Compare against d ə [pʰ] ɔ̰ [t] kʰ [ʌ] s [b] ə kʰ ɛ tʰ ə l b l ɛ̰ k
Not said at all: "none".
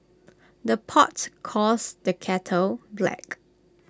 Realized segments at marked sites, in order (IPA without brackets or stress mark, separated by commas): pʰ, t, ɔ, d